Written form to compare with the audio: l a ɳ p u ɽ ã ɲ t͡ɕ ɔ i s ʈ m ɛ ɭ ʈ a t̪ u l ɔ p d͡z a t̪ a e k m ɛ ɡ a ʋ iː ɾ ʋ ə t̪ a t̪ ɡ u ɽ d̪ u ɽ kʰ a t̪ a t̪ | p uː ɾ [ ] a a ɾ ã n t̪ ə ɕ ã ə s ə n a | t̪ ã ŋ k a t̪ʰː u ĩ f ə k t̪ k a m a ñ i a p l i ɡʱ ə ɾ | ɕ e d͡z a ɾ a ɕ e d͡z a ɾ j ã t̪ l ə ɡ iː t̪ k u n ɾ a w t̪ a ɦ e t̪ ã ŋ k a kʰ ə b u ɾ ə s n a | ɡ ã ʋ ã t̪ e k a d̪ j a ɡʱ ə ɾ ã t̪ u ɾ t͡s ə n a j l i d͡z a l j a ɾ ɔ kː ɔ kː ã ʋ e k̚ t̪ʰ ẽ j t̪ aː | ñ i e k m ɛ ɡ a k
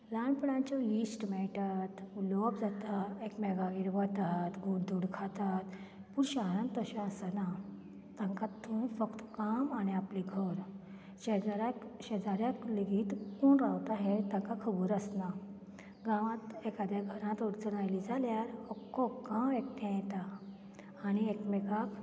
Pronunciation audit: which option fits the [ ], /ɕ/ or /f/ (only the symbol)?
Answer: ɕ